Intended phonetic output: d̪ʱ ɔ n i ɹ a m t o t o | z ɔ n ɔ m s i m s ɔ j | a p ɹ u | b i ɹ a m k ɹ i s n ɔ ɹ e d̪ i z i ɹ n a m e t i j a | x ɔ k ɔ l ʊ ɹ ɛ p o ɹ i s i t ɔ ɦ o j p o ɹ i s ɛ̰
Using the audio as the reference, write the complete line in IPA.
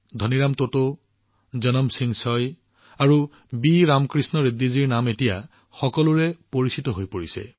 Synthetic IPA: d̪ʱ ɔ n i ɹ a m t o t o | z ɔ n ɔ m s i ŋ s ɔ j | a ɹ u | b i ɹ a m k ɹ i s n ɔ ɹ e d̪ i z i ɹ n a m e t i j a | x ɔ k ɔ l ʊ ɹ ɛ p o ɹ i s i t ɔ ɦ o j p o ɹ i s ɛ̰